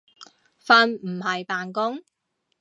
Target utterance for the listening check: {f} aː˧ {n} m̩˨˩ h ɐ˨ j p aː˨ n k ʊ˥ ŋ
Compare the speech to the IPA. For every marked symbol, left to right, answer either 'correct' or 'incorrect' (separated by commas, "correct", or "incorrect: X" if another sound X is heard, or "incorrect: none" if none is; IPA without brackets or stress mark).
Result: correct, correct